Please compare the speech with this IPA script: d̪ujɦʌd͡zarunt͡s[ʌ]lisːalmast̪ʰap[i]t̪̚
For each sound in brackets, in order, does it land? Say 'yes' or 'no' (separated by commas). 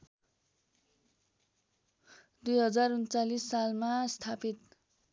no, yes